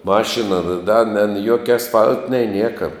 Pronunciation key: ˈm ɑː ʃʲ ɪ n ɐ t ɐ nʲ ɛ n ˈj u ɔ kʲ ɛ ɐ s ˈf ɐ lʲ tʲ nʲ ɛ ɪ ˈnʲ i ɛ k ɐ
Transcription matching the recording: ˈm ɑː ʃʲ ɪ n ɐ d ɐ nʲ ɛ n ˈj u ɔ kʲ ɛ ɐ s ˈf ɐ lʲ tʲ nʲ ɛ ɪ ˈnʲ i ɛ k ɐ